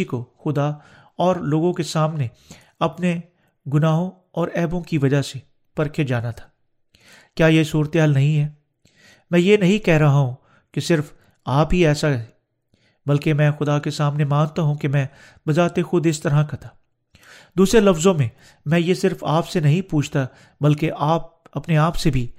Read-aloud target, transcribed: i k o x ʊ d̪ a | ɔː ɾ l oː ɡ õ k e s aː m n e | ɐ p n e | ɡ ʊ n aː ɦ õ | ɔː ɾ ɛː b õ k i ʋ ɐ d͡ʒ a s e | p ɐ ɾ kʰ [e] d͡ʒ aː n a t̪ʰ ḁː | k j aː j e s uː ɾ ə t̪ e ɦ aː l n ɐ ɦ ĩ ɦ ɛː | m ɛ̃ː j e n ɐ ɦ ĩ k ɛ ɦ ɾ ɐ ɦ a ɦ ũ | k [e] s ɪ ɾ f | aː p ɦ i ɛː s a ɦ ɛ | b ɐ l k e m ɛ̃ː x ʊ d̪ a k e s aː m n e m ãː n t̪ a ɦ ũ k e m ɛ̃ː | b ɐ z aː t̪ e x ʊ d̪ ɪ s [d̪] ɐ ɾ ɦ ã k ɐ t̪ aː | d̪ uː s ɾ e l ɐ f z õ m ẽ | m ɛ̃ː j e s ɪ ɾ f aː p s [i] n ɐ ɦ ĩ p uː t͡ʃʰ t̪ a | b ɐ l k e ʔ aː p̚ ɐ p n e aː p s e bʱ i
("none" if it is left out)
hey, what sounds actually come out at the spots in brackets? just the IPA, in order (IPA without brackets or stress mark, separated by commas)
e, e, t̪, e